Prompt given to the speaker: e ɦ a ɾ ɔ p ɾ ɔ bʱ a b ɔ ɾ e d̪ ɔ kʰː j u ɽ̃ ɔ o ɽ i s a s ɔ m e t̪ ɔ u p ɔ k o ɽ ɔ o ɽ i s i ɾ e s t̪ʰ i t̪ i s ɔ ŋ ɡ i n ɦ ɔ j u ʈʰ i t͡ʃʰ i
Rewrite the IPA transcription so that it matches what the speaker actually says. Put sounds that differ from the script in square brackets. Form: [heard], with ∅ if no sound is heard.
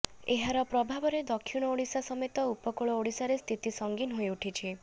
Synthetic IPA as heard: e ɦ a ɾ ɔ p ɾ ɔ bʱ a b ɔ ɾ e d̪ ɔ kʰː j u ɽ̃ ɔ o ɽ i s a s ɔ m e t̪ ɔ u p ɔ k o [ɭ] ɔ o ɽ i s [a] ɾ e s t̪ʰ i t̪ i s ɔ ŋ ɡ i n ɦ [o] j u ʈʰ i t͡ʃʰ i